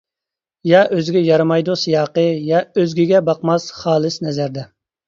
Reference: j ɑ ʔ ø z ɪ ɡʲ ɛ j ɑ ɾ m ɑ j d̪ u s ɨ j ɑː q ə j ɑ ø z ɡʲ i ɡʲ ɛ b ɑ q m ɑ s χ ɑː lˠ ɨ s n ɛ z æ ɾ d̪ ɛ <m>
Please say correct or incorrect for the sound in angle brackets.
incorrect: none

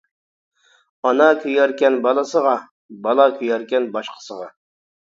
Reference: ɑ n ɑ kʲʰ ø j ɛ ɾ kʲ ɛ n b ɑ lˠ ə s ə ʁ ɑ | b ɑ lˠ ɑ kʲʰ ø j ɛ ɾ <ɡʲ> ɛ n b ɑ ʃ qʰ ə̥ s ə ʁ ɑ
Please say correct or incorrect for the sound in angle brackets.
incorrect: kʲ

